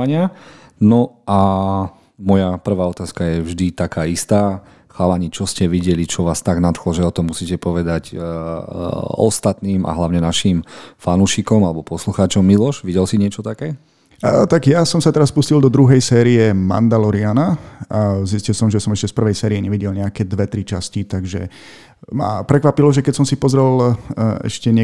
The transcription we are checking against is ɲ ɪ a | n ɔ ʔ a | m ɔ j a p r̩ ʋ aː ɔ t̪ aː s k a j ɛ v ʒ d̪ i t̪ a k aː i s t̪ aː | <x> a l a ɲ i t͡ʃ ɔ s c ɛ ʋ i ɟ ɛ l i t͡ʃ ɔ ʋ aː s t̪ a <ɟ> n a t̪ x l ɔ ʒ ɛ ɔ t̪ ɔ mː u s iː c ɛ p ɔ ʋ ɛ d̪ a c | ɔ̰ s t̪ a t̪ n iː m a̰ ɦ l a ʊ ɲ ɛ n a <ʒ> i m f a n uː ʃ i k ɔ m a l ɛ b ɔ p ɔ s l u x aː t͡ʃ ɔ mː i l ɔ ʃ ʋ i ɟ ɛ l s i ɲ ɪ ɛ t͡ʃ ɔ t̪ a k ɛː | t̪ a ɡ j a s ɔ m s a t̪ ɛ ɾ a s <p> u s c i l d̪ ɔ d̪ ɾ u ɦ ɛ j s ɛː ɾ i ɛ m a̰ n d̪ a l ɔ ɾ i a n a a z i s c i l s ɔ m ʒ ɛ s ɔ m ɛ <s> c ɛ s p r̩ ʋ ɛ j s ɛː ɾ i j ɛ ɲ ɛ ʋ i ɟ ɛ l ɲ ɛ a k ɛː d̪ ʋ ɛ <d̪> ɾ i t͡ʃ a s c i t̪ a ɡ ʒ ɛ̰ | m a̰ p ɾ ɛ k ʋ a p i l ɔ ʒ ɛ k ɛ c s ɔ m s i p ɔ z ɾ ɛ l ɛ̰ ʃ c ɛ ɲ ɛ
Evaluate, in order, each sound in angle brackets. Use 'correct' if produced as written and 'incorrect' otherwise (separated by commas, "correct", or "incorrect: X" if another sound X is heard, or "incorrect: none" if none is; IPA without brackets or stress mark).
correct, incorrect: ɡ, incorrect: ʃ, correct, incorrect: ʃ, incorrect: t̪